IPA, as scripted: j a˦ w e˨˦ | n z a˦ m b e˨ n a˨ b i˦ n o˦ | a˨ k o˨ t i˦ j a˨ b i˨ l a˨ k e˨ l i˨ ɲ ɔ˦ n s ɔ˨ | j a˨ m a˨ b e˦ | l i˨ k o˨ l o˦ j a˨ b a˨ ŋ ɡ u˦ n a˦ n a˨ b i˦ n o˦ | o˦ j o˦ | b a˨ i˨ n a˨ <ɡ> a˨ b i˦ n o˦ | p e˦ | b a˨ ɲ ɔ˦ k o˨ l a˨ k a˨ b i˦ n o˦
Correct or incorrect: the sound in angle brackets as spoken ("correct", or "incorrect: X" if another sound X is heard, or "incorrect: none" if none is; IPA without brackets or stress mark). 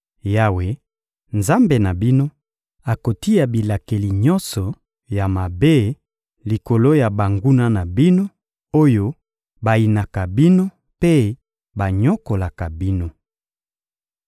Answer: incorrect: k